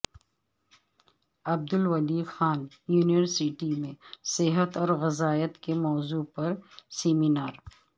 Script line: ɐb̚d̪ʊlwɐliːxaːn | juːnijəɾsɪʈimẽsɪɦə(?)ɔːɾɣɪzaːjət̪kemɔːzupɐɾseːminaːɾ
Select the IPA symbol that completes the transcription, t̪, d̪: t̪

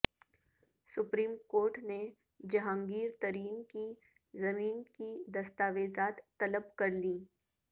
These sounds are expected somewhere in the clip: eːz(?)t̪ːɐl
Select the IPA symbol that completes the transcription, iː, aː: aː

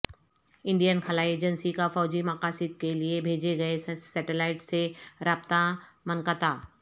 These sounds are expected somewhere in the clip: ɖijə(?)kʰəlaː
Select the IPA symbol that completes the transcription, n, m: n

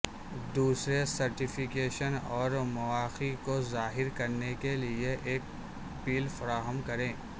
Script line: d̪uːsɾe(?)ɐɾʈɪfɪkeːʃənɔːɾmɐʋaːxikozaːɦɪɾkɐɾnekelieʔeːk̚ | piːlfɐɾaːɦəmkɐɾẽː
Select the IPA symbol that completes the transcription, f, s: s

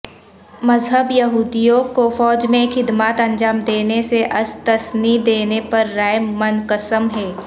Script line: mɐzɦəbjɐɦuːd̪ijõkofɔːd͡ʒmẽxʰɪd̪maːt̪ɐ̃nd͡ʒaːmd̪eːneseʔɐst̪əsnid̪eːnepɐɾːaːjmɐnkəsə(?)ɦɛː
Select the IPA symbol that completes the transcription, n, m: m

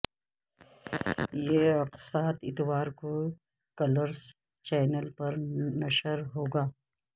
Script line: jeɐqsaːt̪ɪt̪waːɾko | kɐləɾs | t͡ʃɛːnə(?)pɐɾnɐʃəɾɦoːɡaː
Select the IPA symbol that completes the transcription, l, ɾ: l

